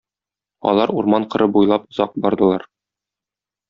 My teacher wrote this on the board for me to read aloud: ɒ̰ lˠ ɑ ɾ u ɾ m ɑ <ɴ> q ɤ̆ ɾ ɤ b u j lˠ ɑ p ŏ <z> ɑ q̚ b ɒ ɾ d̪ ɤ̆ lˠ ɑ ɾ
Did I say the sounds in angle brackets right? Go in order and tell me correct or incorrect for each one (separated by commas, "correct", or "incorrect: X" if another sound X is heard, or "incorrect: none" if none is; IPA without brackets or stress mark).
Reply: correct, correct